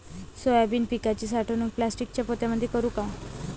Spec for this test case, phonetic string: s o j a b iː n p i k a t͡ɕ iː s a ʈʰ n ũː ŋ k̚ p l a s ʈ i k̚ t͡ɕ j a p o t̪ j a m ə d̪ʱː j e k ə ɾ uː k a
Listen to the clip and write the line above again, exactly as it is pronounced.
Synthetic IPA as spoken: s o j a b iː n p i k a t͡ɕ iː s a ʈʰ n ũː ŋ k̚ p l a s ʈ i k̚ t͡ɕ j a p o t̪ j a m ə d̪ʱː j e k ə ɾ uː k a